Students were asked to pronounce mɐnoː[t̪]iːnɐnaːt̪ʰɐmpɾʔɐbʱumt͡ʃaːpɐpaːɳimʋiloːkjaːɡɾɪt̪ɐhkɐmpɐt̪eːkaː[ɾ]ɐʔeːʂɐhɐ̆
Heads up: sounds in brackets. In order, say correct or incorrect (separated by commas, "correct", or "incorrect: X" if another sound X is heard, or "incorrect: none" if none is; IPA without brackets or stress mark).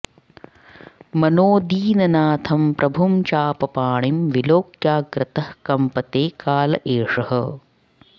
incorrect: d̪, incorrect: l